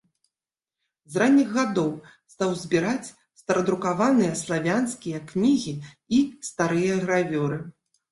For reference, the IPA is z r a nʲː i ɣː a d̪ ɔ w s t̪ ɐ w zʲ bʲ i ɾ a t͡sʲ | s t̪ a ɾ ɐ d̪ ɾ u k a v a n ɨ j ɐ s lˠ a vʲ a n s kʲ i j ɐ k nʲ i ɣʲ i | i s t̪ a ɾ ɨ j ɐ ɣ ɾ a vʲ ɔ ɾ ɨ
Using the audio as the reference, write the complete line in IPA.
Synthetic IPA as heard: z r a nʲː i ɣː a d̪ ɔ w s t̪ a w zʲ bʲ i ɾ a t͡sʲ | s t̪ ɐ ɾ ɐ d̪ ɾ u k a v a n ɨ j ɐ s lˠ a vʲ a n s kʲ i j ɐ k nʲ i ɣʲ i | i s t̪ a ɾ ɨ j ɐ ɣ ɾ a vʲ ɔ ɾ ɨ